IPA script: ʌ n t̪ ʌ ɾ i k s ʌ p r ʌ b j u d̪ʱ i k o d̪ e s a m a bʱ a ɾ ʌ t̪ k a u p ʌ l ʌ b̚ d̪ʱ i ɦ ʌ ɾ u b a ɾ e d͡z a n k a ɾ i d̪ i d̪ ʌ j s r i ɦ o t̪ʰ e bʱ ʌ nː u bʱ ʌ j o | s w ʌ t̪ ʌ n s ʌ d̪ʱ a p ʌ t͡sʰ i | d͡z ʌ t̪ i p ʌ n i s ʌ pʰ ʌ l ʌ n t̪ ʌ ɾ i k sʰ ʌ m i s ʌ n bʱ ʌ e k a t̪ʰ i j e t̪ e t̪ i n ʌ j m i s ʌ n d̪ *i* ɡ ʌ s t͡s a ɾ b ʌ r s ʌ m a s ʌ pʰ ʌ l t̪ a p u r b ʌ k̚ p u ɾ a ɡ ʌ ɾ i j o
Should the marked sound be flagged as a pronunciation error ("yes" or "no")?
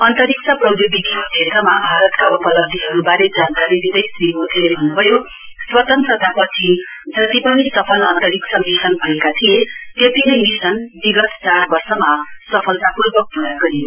no